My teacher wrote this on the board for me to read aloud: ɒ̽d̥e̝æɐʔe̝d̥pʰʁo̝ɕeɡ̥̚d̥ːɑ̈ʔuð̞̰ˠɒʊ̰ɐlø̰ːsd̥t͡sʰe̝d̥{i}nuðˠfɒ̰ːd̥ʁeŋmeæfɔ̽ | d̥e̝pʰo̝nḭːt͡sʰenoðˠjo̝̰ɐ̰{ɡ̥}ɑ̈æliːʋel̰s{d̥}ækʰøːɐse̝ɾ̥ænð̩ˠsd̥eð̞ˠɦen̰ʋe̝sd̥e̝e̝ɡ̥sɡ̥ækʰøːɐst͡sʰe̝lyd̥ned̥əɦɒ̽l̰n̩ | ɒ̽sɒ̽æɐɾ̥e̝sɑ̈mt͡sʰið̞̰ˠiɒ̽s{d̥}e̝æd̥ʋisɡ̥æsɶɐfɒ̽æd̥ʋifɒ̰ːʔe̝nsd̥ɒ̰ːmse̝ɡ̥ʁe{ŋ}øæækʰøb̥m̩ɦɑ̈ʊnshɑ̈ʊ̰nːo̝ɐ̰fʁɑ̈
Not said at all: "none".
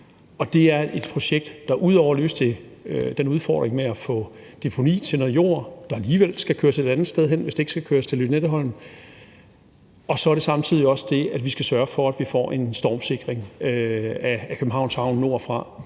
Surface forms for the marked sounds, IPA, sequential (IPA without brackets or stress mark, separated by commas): e, d̥, ɡ̥, d̥, ŋ